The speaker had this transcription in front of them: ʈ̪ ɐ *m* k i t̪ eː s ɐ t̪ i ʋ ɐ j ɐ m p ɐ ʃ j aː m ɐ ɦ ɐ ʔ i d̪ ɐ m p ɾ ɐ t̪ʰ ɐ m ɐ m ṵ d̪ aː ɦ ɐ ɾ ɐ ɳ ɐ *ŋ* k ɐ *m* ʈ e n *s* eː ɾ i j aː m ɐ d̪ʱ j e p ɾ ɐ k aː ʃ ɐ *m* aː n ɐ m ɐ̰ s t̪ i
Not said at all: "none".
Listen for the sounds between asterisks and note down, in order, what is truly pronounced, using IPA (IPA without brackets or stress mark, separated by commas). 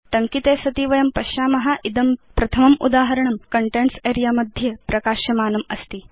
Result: ŋ, m, ɳ, s, m